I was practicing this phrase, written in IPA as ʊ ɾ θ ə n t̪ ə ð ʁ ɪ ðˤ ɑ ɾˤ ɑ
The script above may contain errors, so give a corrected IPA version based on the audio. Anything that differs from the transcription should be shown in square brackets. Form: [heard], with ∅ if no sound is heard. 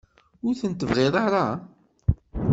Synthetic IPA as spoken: ʊ ɾ θ ə n t̪ ə [v] ʁ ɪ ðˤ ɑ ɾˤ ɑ